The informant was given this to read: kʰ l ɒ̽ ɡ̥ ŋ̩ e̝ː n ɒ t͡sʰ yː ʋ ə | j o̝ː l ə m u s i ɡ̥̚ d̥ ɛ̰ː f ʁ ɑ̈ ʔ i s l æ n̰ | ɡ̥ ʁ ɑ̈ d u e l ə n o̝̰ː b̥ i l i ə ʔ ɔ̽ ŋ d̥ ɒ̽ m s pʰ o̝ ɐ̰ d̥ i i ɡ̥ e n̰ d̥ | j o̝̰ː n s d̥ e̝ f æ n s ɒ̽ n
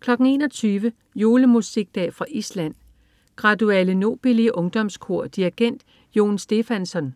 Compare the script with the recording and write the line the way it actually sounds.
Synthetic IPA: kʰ l ɒ̽ ɡ̥ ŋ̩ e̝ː n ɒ t͡sʰ yː ʋ ə | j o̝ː l ə m u s i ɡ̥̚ d̥ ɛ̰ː f ʁ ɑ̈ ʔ i s l æ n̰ | ɡ̥ ʁ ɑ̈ d u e l ə n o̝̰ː b̥ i l i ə ʔ ɔ̽ ŋ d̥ ɒ̽ m s kʰ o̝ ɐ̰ d̥ i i ɡ̥ e n̰ d̥ | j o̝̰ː n s d̥ e̝ f æ n s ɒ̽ n